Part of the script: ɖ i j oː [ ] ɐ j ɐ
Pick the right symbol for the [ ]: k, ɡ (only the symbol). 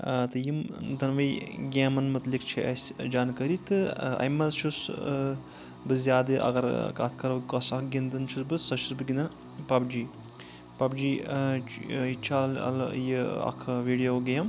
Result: ɡ